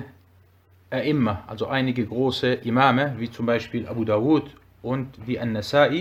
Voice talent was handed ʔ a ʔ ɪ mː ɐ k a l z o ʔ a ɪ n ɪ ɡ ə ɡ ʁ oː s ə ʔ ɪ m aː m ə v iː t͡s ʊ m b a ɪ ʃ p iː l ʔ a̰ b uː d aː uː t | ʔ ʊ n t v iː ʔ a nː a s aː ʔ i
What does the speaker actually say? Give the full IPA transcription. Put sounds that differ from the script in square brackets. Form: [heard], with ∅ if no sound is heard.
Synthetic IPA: ʔ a ʔ ɪ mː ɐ [ʔ] a l z o ʔ a ɪ n ɪ ɡ ə ɡ ʁ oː s ə ʔ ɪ m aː m ə v iː t͡s ʊ m b a ɪ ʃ p iː l ʔ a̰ b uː d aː uː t | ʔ ʊ n t v iː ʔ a nː a s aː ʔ i